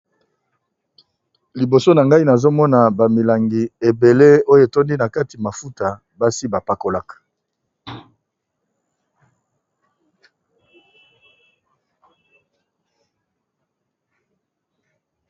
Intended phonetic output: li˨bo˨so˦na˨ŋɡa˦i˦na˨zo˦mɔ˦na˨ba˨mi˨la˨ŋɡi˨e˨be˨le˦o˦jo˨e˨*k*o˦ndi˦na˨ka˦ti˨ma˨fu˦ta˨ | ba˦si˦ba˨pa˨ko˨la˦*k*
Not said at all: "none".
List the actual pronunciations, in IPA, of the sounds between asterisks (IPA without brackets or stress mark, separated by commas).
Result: t, k